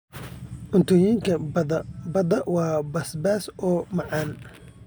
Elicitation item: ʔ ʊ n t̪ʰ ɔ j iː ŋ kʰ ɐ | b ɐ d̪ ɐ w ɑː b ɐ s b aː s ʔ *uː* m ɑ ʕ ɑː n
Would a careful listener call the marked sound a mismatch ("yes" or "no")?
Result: yes